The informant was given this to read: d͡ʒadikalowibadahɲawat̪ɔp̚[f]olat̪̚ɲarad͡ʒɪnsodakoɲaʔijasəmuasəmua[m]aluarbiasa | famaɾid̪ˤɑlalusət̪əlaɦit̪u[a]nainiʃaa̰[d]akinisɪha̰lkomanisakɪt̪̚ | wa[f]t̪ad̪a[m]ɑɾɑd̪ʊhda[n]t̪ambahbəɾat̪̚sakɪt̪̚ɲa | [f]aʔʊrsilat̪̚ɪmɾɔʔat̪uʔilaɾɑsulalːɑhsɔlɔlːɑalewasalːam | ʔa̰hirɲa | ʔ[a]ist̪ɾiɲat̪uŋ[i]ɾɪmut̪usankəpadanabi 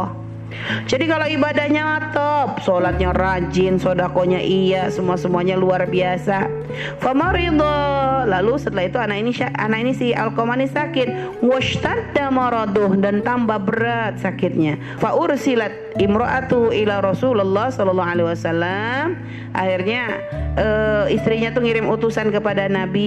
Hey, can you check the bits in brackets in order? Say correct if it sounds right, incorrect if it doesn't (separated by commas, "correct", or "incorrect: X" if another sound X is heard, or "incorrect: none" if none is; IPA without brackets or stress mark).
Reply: incorrect: s, incorrect: ɲ, correct, incorrect: n, incorrect: ʃ, correct, correct, correct, incorrect: ə, correct